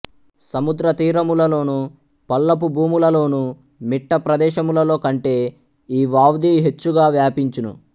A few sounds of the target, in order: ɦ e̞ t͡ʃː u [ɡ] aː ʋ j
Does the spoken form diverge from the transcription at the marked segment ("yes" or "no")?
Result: no